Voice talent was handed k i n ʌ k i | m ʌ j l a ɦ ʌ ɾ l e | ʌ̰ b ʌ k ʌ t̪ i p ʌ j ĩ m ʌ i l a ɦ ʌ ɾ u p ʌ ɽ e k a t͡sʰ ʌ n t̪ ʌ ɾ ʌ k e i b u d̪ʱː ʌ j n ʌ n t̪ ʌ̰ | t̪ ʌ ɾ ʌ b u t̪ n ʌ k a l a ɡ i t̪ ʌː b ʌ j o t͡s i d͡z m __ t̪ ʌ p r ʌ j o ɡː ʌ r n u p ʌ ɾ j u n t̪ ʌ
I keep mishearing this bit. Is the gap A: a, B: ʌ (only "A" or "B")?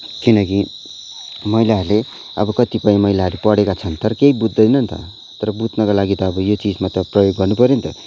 A